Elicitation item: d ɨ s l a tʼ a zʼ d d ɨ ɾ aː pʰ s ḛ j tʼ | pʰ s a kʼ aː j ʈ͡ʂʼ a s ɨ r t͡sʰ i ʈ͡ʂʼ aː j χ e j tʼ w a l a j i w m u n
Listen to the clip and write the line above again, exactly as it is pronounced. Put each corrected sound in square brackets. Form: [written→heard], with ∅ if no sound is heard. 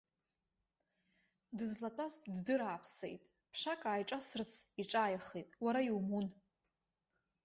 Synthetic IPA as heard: d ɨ [s→z] l a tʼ a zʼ d d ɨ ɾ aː pʰ s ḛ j tʼ | pʰ [s→ʂ] a kʼ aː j ʈ͡ʂʼ a s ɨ r t͡sʰ i ʈ͡ʂʼ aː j χ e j tʼ w a [l→ɾ] a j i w m u n